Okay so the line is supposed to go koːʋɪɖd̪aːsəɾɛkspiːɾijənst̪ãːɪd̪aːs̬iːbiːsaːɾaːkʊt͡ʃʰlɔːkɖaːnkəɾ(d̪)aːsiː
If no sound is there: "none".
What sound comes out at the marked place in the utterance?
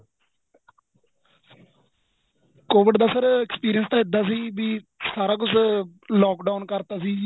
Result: t̪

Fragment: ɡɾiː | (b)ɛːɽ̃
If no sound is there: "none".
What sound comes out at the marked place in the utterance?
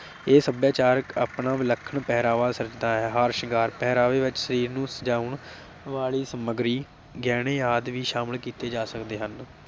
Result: ɡ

